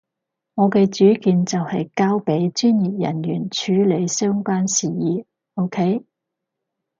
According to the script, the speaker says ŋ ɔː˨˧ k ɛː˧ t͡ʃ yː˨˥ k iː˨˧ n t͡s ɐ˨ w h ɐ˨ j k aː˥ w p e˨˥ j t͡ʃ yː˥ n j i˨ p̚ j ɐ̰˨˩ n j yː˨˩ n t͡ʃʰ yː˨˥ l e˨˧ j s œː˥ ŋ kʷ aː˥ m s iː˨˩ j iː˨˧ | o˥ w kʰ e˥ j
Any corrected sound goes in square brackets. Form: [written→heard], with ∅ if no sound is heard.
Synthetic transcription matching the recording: ŋ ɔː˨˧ k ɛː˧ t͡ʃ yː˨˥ k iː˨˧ n t͡s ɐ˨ w h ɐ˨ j k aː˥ w p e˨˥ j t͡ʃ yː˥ n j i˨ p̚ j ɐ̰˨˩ n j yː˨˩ n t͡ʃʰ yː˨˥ l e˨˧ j s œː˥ ŋ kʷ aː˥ [m→n] s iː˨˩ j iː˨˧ | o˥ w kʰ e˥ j